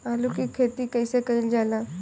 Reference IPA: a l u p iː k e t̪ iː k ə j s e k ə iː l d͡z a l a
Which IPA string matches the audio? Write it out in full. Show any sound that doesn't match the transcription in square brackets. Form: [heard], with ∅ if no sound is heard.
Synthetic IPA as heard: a l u [k] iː [kʰ] e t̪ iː k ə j s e k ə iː l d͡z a l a